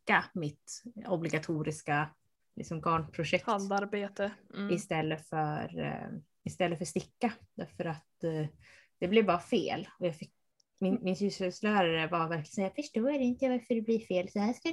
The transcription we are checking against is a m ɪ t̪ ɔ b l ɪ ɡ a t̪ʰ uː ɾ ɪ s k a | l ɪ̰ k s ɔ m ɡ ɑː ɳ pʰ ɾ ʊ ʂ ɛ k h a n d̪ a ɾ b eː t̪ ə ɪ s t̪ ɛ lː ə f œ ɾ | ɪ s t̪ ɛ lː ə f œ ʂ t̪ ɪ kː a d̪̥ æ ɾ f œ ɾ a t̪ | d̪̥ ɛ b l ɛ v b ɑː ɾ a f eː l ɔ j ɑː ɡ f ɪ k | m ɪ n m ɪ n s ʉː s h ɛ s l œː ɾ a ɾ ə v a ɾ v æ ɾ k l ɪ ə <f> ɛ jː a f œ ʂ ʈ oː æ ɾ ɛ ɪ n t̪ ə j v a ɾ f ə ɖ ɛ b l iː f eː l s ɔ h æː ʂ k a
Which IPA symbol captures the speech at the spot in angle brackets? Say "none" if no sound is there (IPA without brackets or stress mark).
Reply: s